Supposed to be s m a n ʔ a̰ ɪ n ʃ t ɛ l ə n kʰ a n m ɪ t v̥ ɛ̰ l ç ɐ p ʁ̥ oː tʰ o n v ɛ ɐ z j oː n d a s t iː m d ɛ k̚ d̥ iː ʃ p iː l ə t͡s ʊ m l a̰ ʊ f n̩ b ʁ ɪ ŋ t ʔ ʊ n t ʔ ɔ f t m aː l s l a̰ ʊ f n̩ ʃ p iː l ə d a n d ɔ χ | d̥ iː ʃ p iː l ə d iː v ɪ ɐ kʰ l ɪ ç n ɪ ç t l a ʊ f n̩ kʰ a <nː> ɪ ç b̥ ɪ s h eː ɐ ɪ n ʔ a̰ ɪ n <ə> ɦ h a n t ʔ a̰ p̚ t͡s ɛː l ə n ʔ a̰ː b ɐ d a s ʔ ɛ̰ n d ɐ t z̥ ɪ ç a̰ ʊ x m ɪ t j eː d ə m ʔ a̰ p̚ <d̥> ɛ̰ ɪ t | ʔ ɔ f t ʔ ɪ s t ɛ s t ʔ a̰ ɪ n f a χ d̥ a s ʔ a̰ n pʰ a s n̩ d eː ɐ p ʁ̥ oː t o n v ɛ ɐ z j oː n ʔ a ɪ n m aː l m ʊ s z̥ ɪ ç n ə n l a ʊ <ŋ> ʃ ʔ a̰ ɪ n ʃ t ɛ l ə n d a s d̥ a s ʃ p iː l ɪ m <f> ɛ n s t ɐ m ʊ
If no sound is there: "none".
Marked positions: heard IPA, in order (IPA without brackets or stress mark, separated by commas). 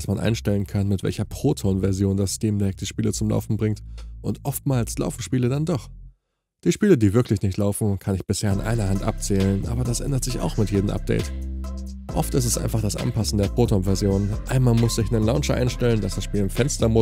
n, ɐ, d̥, n, f